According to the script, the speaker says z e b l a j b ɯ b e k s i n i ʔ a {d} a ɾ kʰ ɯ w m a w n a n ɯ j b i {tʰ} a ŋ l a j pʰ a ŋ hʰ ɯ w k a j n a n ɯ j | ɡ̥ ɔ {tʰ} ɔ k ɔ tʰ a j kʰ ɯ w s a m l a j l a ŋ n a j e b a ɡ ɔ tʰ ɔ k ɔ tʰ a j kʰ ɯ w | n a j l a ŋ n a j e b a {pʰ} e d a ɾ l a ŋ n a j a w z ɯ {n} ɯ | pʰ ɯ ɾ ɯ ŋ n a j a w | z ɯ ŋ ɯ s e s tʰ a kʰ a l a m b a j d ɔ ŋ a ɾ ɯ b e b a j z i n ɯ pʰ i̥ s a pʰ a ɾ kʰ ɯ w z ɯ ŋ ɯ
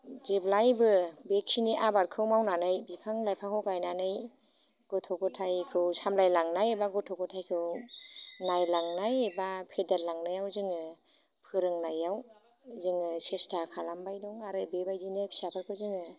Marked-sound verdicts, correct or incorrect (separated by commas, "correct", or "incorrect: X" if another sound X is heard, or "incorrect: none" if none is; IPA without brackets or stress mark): incorrect: b, incorrect: pʰ, correct, correct, incorrect: ŋ